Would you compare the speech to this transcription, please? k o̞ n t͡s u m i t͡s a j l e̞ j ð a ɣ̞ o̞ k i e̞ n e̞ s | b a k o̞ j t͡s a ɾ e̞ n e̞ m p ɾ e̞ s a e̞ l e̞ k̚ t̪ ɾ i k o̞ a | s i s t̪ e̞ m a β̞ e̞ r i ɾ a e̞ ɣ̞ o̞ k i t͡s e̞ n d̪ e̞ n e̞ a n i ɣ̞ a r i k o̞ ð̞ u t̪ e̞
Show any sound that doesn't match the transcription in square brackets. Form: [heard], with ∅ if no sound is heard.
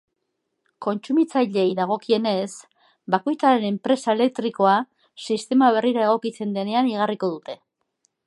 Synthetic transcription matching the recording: k o̞ n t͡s u m i t͡s a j [ʎ] e̞ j ð a ɣ̞ o̞ k i e̞ n e̞ s | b a k o̞ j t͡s a ɾ e̞ n e̞ m p ɾ e̞ s a e̞ l e̞ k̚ t̪ ɾ i k o̞ a | s i s t̪ e̞ m a β̞ e̞ r i ɾ a e̞ ɣ̞ o̞ k i t͡s e̞ n d̪ e̞ n e̞ a n i ɣ̞ a r i k o̞ ð̞ u t̪ e̞